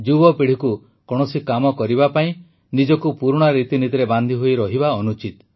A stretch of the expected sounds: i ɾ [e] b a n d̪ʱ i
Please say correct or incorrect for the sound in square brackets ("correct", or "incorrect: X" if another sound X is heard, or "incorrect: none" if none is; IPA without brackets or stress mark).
correct